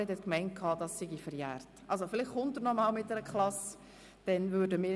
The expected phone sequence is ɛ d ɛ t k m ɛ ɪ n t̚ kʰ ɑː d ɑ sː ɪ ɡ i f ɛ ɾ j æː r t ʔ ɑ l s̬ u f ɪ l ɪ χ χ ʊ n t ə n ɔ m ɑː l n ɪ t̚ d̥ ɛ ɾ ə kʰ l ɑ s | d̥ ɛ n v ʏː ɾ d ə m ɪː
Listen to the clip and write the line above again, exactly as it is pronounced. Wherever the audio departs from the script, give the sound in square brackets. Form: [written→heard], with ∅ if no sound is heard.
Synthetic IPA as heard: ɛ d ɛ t k m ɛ ɪ n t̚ kʰ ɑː d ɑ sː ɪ ɡ i f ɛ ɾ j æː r t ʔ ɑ l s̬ [u→o] f ɪ l ɪ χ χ ʊ n t ə n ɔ m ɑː l [n→m] ɪ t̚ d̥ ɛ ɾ ə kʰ l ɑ s | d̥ ɛ n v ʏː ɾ d ə m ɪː